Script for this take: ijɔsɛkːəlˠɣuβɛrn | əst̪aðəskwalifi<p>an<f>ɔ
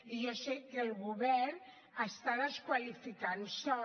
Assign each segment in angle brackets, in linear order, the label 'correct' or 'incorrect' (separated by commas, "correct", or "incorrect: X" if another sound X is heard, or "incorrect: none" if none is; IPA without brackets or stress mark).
incorrect: k, incorrect: s